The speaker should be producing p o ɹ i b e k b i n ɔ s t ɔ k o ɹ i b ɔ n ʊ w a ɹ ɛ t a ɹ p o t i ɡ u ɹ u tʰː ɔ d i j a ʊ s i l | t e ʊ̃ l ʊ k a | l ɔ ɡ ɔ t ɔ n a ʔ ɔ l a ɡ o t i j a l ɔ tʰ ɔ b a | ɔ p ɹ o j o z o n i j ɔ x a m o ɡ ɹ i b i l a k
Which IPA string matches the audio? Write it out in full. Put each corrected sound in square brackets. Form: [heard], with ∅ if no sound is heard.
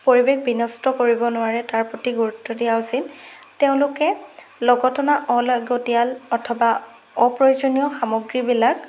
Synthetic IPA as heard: p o ɹ i b e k b i n ɔ s t ɔ k o ɹ i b ɔ n ʊ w a ɹ ɛ t a ɹ p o t i ɡ u ɹ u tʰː ɔ d i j a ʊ s i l | t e ʊ̃ l ʊ k [ɛ] | l ɔ ɡ ɔ t ɔ n a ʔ ɔ l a ɡ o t i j a l ɔ tʰ ɔ b a | ɔ p ɹ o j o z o n i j ɔ x a m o ɡ ɹ i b i l a k